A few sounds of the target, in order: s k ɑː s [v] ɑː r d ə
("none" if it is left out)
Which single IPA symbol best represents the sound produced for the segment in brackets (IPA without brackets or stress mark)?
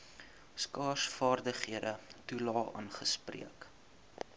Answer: f